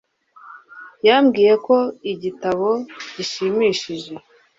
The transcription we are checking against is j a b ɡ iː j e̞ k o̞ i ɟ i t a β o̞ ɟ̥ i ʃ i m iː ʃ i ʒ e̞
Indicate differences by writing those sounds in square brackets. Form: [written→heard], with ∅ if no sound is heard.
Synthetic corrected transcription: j a [b→m] ɡ iː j e̞ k o̞ i ɟ i t a β o̞ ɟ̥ i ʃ i m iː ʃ i ʒ e̞